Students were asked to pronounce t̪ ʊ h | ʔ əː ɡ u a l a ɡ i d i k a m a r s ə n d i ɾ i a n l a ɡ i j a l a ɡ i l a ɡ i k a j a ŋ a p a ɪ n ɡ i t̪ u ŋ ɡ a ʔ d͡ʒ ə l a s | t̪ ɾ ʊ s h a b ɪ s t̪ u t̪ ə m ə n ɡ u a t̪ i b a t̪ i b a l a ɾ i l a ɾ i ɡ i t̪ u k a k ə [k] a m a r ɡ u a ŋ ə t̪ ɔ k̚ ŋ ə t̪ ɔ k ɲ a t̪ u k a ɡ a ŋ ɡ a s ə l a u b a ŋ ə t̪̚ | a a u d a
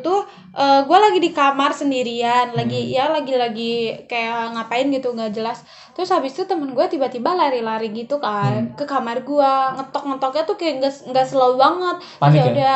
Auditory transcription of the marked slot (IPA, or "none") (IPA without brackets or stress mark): k